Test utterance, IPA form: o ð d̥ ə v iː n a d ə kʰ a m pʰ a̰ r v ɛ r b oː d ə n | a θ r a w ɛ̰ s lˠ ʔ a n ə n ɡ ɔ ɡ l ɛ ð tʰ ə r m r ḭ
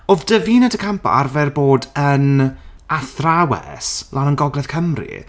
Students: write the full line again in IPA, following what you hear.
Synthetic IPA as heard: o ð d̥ ə v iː n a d ə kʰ a m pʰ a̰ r v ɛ r b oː d ə n | a θ r a w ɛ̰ s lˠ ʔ a n ə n ɡ ɔ ɡ l ɛ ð kʰ ə m r ḭ

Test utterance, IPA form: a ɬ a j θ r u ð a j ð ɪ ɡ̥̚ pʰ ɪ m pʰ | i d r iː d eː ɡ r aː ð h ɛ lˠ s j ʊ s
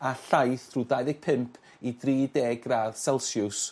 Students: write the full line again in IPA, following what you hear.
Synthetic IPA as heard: a ɬ a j θ r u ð a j ð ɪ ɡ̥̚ pʰ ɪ m pʰ | i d r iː d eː ɡ r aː ð s ɛ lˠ s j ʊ s

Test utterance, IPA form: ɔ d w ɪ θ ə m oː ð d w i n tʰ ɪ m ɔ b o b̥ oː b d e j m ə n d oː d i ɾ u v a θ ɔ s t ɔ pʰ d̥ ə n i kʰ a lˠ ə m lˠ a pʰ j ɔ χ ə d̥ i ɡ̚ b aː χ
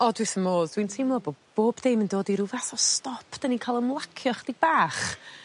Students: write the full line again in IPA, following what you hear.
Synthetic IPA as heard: ɔ d w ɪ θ ə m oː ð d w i n tʰ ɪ m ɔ b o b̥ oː b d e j m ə n d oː d i ɾ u v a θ ɔ s t ɔ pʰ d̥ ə n i kʰ a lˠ ə m lˠ a kʰ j ɔ χ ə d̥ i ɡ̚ b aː χ

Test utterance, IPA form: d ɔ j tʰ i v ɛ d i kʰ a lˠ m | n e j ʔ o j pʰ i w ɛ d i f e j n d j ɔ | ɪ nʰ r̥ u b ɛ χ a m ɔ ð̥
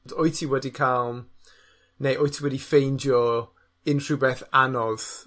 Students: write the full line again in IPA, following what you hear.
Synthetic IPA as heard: d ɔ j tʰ i w ɛ d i kʰ a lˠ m | n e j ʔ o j tʰ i w ɛ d i f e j n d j ɔ | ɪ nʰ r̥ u b ɛ θ a n ɔ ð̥

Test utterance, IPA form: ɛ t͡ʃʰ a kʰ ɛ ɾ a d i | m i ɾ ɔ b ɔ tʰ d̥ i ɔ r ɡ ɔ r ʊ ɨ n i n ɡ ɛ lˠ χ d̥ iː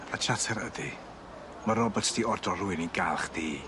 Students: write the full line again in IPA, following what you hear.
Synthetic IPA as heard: a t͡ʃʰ a tʰ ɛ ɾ ə d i | m a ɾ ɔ b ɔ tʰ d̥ i ɔ r d ɔ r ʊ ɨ n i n ɡ a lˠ χ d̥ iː

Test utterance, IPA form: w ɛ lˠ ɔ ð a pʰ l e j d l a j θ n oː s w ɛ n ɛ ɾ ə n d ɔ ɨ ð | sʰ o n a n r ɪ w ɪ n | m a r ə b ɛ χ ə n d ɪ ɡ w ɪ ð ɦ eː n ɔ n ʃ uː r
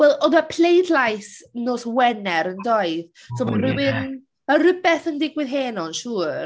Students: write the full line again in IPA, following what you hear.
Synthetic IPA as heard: w ɛ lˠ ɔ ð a pʰ l e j d l a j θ n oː s w ɛ n ɛ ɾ ə n d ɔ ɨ ð | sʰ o m a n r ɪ w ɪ n | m a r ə b ɛ θ ə n d ɪ ɡ w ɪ ð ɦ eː n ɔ n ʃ uː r

